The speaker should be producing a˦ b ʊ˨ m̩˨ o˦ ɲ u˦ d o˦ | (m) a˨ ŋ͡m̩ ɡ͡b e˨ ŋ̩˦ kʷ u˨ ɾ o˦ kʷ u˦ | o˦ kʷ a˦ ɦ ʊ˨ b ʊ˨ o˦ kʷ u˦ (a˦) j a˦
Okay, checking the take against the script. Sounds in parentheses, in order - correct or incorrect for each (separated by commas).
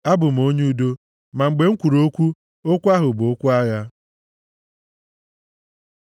correct, correct